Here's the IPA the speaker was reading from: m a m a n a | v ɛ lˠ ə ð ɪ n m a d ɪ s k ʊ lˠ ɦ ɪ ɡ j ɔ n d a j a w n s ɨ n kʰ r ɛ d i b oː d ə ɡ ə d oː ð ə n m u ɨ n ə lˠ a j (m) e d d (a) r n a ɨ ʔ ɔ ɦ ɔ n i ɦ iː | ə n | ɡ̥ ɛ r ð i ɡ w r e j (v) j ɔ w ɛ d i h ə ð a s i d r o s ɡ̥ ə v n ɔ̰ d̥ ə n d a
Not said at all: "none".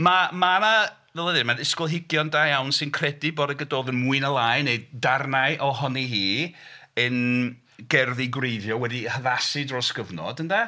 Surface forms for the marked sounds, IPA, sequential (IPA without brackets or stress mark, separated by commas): n, a, ð